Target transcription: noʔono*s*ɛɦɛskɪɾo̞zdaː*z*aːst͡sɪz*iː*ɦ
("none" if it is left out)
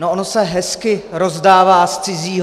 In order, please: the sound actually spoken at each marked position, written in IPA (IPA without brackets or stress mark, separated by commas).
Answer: s, v, iː